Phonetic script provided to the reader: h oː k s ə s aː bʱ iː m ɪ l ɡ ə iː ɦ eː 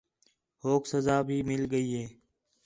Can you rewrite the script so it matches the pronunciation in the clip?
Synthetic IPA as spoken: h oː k s ə z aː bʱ iː m ɪ l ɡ ə iː ɦ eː